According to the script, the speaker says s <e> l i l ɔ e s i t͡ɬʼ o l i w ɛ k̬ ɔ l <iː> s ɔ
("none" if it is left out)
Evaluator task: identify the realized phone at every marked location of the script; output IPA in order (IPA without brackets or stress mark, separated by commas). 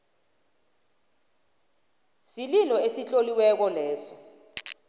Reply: i, ɛː